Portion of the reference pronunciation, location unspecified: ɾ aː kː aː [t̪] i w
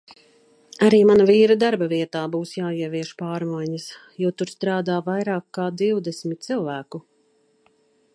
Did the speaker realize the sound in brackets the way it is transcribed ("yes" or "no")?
no